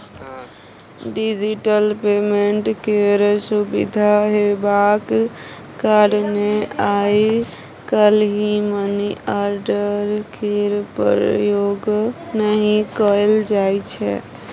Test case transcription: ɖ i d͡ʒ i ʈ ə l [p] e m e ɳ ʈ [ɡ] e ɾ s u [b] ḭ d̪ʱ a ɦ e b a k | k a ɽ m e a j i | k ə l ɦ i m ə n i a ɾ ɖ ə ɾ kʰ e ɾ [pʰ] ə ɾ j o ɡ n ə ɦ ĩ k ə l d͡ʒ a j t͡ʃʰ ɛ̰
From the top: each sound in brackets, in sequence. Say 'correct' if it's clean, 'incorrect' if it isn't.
correct, incorrect: k, correct, incorrect: p

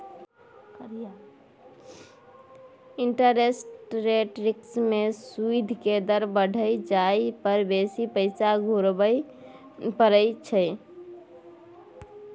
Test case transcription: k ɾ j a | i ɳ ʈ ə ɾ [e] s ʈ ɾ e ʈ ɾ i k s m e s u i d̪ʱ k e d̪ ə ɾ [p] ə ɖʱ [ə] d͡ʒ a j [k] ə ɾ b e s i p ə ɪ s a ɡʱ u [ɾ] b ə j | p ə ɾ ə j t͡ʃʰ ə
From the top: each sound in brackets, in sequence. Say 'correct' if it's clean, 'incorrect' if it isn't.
correct, incorrect: b, correct, incorrect: p, correct

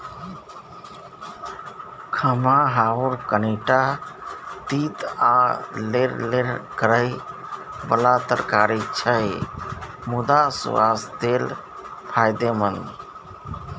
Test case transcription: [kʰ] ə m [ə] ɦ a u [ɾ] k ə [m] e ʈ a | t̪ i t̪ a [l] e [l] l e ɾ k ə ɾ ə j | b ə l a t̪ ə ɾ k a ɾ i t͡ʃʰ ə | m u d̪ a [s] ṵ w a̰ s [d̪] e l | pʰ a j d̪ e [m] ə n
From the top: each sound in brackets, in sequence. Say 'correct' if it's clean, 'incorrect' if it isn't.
correct, incorrect: a, correct, incorrect: n, correct, incorrect: ɾ, correct, correct, correct

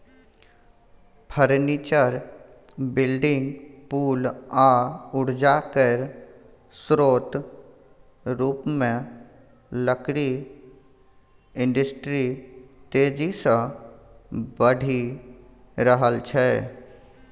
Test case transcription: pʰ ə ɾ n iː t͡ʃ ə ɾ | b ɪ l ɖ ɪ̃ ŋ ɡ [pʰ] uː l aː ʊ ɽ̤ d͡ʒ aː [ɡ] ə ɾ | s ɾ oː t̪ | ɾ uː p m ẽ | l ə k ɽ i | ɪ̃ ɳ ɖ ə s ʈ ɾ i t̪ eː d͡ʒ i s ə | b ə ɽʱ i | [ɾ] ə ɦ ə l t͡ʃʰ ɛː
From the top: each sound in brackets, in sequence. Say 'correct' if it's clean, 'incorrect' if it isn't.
incorrect: p, incorrect: k, correct

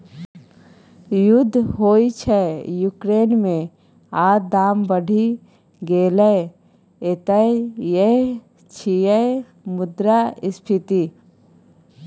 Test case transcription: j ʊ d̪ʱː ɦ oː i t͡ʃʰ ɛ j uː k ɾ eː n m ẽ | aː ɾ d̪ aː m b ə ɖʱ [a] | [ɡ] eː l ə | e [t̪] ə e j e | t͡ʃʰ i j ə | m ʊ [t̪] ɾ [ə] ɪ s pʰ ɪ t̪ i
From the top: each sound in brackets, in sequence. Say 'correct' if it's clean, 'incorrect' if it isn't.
incorrect: i, correct, correct, incorrect: d̪, incorrect: a

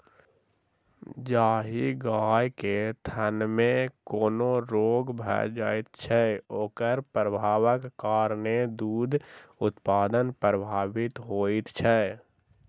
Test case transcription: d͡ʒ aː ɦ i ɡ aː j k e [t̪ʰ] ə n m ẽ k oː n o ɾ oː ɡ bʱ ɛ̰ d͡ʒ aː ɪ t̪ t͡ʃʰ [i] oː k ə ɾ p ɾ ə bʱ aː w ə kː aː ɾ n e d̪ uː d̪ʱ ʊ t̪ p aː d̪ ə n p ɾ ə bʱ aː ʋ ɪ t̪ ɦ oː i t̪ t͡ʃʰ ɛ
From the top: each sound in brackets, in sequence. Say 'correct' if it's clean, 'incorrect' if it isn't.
correct, incorrect: ɛ

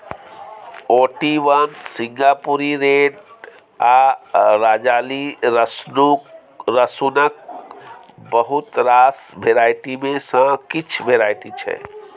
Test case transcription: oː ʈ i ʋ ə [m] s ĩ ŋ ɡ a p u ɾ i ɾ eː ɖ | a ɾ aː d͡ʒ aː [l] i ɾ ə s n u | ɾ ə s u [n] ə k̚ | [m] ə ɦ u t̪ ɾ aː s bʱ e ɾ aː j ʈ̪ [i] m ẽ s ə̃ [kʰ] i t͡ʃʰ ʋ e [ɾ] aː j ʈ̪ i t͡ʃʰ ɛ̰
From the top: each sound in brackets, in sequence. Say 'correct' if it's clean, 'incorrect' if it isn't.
incorrect: n, correct, correct, incorrect: b, correct, incorrect: k, correct

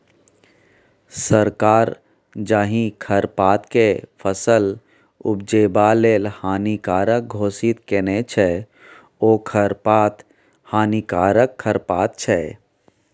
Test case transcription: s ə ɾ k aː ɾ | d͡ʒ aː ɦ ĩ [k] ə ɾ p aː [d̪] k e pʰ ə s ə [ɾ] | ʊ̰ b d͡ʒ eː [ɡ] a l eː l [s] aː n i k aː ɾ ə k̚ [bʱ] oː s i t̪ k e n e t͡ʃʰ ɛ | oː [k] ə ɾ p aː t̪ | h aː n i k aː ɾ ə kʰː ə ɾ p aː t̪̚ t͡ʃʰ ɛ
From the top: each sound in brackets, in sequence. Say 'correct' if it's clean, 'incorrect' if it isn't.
incorrect: kʰ, incorrect: t̪, incorrect: l, incorrect: b, incorrect: h, incorrect: ɡʱ, incorrect: kʰ

